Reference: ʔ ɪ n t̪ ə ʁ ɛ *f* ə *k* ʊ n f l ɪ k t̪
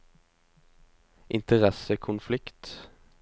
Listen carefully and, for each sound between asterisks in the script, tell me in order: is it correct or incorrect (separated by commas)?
incorrect, incorrect